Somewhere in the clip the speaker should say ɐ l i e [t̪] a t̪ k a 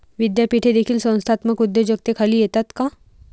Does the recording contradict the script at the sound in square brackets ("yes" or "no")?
no